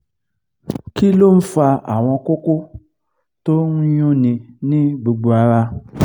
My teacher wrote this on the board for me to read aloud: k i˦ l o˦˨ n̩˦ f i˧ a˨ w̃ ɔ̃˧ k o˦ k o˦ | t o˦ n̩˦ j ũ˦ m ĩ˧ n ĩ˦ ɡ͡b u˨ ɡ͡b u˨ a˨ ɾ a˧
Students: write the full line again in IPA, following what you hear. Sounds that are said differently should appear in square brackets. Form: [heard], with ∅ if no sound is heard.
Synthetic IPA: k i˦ l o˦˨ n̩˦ f [a˧] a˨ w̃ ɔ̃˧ k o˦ k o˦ | t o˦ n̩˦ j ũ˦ [n] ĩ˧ n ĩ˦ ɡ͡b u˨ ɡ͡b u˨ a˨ ɾ a˧